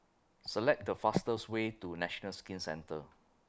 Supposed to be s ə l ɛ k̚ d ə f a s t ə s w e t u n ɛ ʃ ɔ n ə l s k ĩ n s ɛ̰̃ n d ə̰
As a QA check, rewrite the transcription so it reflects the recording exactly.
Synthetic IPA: s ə l ɛ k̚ d ə f a s t ə s w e t u n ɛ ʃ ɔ n ə l s k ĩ n s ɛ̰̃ n t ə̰